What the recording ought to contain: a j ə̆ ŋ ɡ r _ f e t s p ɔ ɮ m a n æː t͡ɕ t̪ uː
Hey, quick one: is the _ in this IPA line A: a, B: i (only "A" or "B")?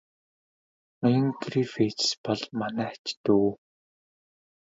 B